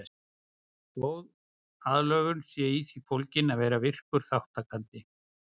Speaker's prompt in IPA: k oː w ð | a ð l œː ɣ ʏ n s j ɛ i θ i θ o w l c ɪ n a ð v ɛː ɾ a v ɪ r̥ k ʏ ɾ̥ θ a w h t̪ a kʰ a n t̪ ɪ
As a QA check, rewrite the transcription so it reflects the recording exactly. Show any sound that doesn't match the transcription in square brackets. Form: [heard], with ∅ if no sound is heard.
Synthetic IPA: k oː w ð | a ð l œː ɣ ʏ n s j ɛ i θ i [f] o w l c ɪ n a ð v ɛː ɾ a v ɪ r̥ k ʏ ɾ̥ θ a w h t̪ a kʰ a n t̪ ɪ